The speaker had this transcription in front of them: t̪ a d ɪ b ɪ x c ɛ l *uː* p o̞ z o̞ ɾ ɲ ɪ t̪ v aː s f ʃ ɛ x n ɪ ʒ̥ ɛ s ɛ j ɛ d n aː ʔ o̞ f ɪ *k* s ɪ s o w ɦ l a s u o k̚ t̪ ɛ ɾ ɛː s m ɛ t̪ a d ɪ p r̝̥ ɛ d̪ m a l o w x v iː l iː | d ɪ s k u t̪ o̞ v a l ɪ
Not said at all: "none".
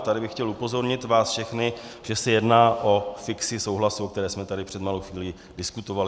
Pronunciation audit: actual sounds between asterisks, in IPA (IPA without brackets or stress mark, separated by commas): u, k